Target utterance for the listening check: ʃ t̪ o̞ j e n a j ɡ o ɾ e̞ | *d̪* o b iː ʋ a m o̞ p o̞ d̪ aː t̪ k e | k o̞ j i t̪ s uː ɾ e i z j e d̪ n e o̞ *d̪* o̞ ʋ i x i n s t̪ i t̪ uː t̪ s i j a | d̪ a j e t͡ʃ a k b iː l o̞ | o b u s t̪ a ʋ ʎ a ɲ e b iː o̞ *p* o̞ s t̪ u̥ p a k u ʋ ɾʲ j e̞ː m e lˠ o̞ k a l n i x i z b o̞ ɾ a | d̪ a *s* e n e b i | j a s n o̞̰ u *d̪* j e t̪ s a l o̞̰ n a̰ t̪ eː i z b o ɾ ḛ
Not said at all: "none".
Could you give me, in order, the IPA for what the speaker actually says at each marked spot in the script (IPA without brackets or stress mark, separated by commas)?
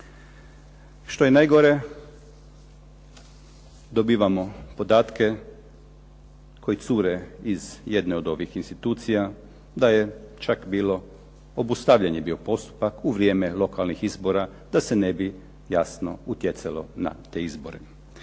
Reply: d̪, d̪, p, s, t̪